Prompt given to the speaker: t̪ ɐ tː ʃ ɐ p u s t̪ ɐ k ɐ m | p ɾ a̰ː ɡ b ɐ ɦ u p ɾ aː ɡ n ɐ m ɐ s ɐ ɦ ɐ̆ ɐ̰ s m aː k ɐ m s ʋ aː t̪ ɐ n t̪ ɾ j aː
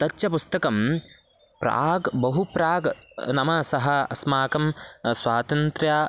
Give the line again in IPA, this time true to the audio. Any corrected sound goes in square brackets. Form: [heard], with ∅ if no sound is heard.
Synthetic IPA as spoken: t̪ ɐ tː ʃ ɐ p u s t̪ ɐ k ɐ m | p ɾ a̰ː ɡ b ɐ ɦ u p ɾ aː ɡ n ɐ m ɐ s ɐ ɦ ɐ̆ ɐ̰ s m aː k ɐ m s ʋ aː t̪ ɐ n t̪ ɾ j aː